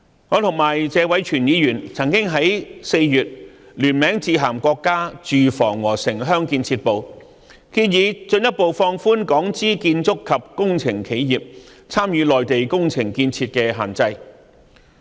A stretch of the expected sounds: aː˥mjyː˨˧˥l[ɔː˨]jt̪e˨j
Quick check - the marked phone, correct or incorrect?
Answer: correct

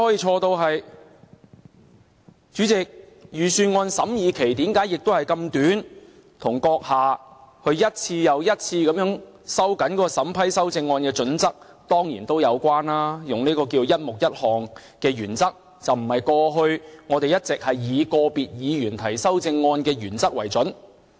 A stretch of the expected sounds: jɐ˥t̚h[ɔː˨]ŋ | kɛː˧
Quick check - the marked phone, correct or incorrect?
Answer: correct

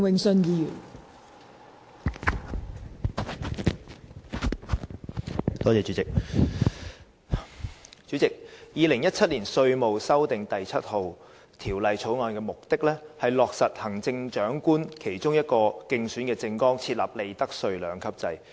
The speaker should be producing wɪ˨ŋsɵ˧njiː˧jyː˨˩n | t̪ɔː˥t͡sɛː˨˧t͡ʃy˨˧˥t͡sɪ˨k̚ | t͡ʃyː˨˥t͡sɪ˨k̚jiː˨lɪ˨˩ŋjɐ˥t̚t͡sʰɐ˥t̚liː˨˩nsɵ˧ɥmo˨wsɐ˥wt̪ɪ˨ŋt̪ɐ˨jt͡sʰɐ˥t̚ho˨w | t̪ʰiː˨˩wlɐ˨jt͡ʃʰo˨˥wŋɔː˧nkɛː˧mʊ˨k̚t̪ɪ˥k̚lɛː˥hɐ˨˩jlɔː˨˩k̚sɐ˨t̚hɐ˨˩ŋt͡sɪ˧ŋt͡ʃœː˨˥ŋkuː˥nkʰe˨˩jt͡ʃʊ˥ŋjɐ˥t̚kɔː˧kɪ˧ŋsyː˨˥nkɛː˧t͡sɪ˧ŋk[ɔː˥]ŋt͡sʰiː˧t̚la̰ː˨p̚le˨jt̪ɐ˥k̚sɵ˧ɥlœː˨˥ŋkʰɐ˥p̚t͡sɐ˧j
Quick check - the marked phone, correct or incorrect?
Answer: correct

